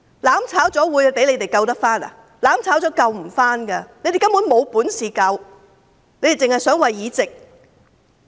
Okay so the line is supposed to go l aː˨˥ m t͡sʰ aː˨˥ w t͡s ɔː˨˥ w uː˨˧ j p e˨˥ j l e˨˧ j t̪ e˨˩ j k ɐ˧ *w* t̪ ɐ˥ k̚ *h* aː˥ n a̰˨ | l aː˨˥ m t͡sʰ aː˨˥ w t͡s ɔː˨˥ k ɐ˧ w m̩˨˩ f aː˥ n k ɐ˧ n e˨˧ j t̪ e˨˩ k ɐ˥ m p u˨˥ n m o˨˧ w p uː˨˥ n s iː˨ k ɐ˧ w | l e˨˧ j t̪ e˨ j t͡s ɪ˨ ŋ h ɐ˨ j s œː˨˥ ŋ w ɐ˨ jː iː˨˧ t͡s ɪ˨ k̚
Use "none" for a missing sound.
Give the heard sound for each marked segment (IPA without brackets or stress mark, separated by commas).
w, f